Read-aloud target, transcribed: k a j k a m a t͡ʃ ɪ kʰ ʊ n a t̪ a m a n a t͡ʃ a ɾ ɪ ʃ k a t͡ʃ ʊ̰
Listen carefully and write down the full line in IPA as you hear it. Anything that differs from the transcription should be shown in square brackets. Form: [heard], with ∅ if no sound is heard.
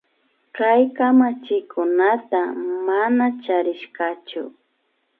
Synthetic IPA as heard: k a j k a m a t͡ʃ ɪ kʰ ʊ n a t̪ a m a n a t͡ʃ a ɾ ɪ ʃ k a t͡ʃ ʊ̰